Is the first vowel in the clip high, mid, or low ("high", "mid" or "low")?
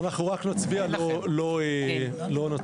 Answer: low